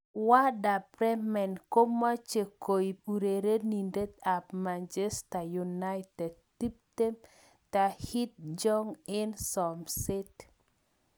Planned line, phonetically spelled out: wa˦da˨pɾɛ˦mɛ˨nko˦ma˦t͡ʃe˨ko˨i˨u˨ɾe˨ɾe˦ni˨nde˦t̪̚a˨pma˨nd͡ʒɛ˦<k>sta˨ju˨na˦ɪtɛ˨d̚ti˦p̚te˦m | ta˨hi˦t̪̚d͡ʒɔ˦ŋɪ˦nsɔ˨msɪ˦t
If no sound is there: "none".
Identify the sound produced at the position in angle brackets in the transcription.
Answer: none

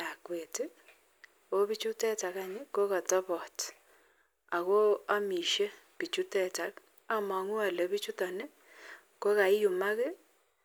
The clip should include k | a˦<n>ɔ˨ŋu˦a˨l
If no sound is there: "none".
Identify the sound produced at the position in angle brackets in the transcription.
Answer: m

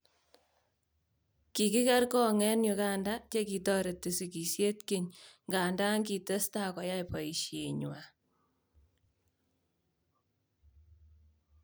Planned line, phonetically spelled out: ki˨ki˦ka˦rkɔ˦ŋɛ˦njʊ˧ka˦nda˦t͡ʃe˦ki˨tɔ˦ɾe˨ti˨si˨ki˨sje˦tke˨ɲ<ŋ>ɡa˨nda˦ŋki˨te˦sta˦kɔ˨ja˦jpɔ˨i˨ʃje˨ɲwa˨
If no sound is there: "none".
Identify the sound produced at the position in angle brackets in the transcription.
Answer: ŋ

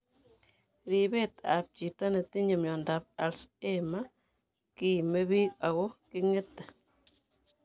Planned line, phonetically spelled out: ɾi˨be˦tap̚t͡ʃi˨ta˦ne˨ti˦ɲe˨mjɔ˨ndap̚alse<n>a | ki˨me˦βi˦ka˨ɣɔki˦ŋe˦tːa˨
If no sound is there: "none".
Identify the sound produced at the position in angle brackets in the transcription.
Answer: m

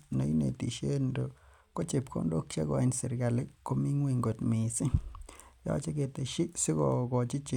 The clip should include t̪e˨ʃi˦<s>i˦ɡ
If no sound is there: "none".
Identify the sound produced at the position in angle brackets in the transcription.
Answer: s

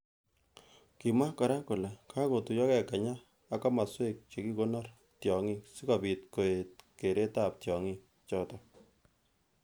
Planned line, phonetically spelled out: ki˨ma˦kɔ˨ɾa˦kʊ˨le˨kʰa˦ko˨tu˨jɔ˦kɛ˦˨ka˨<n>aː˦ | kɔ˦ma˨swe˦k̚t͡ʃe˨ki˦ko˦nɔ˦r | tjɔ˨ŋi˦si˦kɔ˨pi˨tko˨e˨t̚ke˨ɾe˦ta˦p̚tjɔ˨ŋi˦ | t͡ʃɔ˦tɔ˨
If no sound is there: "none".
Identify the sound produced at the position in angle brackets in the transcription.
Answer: ɲ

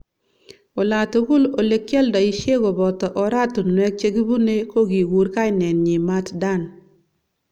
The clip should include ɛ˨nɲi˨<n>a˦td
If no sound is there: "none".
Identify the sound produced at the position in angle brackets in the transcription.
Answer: m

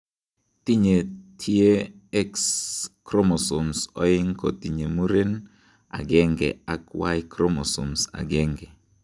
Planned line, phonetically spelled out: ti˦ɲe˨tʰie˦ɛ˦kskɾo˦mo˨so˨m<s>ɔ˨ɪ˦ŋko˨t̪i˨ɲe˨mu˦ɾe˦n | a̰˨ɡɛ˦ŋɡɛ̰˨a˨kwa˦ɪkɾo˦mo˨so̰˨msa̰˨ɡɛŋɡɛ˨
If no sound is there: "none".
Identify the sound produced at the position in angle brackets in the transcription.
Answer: s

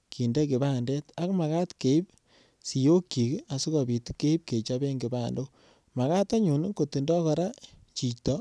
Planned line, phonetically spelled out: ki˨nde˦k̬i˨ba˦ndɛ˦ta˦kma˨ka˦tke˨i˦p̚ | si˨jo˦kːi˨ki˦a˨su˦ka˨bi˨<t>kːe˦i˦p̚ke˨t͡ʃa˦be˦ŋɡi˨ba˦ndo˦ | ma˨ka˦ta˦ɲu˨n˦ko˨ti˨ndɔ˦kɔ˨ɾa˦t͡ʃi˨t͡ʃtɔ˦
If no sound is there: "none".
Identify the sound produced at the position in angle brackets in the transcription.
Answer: t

